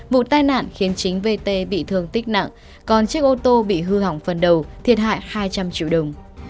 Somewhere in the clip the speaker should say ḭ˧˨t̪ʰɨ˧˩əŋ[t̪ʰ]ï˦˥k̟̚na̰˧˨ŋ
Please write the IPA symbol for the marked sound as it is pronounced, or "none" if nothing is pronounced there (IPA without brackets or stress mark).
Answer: t̪